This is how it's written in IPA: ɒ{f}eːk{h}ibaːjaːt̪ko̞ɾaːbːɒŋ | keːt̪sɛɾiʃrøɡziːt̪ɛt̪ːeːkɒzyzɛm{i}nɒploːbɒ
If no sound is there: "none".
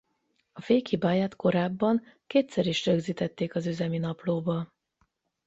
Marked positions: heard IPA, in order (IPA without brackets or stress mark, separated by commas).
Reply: f, h, i